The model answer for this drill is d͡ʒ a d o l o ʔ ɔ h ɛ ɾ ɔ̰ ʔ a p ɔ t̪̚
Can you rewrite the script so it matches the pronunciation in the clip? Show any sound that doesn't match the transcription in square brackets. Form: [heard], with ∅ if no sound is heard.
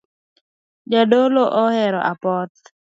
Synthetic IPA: d͡ʒ a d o l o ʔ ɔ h ɛ ɾ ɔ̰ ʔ a p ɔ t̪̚